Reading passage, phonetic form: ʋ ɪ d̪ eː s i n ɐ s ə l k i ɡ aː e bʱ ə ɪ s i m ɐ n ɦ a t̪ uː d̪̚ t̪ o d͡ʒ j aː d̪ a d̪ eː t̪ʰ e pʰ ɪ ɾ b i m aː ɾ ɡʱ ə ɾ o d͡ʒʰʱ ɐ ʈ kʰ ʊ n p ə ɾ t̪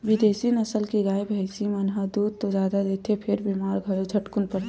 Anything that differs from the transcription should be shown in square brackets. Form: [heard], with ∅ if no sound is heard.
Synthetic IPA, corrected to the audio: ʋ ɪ d̪ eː s i n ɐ s ə l k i ɡ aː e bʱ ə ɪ s i m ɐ n ɦ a [d̪] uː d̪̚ t̪ o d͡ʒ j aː d̪ a d̪ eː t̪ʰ e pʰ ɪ ɾ b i m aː ɾ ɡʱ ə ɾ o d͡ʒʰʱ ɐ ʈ [k] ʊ n p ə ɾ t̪